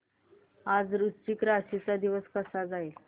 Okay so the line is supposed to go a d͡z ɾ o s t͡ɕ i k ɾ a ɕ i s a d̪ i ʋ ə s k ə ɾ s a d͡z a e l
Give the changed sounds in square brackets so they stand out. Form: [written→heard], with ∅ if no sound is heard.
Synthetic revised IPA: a d͡z ɾ [o→u] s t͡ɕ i k ɾ a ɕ i [s→t͡s] a d̪ i ʋ ə s k ə [ɾ→∅] s a d͡z a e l